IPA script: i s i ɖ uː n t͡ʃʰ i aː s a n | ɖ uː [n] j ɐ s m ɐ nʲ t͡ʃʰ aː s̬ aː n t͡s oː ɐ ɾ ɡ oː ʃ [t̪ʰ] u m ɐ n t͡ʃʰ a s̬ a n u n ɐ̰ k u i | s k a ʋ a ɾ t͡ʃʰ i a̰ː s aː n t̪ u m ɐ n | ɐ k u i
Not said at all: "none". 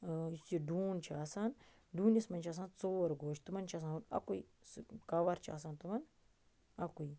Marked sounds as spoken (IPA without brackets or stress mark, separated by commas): n, t̪